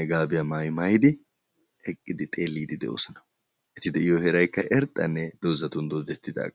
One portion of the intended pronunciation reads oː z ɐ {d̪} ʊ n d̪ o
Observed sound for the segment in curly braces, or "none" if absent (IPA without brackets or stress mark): t̪